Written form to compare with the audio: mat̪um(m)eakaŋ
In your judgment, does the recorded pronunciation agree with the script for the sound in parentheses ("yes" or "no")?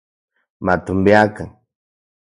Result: no